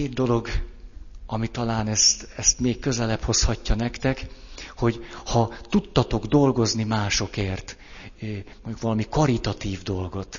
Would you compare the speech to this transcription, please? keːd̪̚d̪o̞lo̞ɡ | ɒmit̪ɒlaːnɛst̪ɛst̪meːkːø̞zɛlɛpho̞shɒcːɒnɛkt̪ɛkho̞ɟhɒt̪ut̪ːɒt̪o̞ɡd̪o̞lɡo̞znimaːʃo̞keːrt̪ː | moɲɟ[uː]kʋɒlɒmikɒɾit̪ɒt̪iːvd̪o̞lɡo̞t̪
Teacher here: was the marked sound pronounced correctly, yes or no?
no